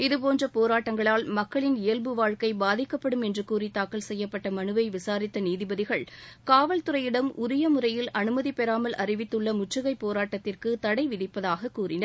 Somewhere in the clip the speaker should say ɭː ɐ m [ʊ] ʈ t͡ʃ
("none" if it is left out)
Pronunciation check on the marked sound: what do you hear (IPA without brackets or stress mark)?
ʊ